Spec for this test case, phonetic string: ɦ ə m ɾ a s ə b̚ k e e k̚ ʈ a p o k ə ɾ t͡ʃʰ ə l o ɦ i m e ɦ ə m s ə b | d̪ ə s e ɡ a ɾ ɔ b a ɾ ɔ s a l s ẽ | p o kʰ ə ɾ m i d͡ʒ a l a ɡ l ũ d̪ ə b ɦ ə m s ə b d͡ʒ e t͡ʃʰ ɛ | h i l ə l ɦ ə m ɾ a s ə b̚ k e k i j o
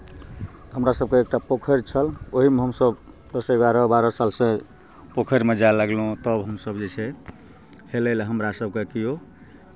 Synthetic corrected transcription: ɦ ə m ɾ a s ə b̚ k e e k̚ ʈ a p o kʰ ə ɾ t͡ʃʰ ə l o ɦ i m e ɦ ə m s ə b | d̪ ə s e ɡ a ɾ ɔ b a ɾ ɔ s a l s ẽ | p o kʰ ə ɾ m e d͡ʒ a l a ɡ l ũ t̪ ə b ɦ ə m s ə b d͡ʒ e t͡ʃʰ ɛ | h e l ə l ɦ ə m ɾ a s ə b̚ k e k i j o